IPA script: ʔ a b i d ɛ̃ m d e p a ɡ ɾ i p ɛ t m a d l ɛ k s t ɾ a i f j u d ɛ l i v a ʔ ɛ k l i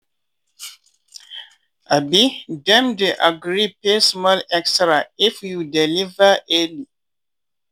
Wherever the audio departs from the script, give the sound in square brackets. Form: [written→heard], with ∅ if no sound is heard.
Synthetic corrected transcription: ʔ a b i d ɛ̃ m d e [p→ʔ] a ɡ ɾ i p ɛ [t→s] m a [d→∅] l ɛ k s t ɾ a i f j u d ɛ l i v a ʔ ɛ [k→∅] l i